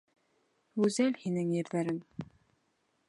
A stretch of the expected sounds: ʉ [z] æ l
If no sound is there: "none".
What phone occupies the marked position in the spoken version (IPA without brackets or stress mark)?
z